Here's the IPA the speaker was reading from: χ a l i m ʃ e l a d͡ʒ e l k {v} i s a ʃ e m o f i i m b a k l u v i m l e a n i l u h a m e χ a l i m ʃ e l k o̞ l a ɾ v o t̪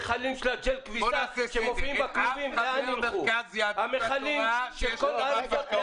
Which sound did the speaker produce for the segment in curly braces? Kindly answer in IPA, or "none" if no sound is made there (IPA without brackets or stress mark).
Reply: v